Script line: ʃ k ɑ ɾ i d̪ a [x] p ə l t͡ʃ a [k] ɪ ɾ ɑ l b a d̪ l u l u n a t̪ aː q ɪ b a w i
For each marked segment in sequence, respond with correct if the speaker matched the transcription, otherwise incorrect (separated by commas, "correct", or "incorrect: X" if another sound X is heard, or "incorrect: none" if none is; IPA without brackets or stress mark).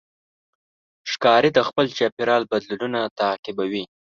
correct, incorrect: p